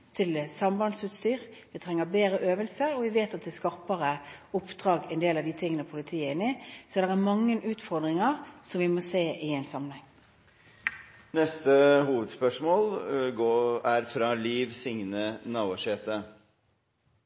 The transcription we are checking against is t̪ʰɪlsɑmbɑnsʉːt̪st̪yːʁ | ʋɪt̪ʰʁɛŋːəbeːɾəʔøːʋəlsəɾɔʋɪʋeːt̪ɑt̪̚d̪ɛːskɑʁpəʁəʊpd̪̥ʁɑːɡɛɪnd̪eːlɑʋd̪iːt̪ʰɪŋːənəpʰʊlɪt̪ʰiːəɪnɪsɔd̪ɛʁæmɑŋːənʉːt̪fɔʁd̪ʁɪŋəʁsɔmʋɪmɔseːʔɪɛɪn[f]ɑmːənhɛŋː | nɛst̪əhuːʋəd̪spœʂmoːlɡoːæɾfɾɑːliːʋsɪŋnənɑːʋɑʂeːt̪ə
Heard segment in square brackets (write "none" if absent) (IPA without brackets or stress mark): s